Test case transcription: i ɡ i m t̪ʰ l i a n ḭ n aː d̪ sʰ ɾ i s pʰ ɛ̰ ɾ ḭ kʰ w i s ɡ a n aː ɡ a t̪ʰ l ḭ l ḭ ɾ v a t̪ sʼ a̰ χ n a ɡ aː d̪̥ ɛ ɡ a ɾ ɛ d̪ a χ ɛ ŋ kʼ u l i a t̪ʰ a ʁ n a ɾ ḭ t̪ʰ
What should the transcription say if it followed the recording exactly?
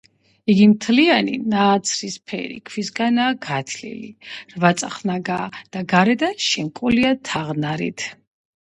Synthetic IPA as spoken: i ɡ i m t̪ʰ l i a n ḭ n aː t̪ sʰ ɾ i s pʰ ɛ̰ ɾ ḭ kʰ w i s ɡ a n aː ɡ a t̪ʰ l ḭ l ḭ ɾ v a t̪ sʼ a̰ χ n a ɡ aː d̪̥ a ɡ a ɾ ɛ d̪ a ʃ ɛ ŋ kʼ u l i a t̪ʰ a ʁ n a ɾ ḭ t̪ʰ